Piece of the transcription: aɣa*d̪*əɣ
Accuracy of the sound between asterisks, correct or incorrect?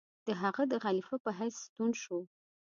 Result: correct